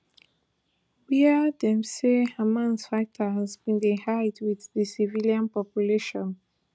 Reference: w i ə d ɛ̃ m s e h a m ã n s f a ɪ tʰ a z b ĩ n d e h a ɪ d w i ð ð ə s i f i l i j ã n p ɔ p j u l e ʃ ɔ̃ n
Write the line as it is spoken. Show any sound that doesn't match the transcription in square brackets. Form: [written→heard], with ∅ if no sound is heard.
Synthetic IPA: w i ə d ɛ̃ m s e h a m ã n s f a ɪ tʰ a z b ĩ n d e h a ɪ d w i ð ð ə s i [f→v] i l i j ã n p ɔ p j u l e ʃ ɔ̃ n